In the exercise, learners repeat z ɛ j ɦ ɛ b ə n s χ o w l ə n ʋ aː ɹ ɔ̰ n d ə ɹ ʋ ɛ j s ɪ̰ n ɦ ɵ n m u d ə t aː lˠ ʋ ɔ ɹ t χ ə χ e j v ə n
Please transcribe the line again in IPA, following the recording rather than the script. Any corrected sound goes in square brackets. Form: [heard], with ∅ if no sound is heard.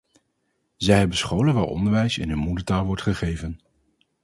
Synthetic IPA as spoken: z ɛ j ɦ ɛ b ə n s χ o w l ə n ʋ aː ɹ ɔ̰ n d ə ɹ ʋ ɛ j s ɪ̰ n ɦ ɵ n m u d ə t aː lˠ ʋ ɔ ɹ t χ ə χ e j v ə n